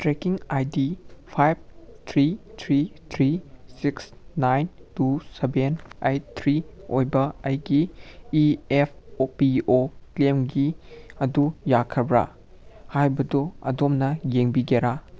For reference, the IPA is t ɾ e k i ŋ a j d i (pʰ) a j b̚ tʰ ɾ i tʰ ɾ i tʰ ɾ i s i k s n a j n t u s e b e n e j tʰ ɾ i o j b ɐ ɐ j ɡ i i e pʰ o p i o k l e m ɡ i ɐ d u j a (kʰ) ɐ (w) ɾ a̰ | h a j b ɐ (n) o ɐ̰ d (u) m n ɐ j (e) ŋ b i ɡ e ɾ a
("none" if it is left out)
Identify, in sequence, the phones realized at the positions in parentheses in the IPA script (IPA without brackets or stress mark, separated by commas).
pʰ, kʰ, b, d, o, e